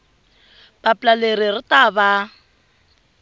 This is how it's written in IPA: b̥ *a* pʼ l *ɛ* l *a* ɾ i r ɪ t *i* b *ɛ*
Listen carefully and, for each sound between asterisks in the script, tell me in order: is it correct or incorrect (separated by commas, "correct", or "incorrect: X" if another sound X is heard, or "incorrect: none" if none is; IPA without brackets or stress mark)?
correct, incorrect: a, incorrect: e, incorrect: a, incorrect: a